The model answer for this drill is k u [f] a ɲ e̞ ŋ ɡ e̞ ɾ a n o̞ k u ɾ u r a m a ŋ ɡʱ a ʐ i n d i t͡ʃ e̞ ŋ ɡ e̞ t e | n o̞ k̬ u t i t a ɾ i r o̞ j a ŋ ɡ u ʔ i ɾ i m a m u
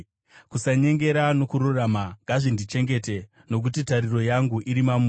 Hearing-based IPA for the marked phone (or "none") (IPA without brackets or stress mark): s